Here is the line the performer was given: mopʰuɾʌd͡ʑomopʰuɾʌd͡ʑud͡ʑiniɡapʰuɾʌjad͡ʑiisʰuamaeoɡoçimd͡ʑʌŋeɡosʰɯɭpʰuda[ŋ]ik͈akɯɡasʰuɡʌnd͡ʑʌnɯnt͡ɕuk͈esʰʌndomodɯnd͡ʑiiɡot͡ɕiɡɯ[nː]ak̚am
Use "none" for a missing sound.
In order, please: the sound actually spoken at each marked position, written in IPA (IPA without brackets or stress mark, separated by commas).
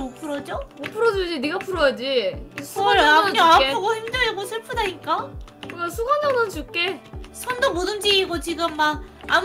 ɲ, mː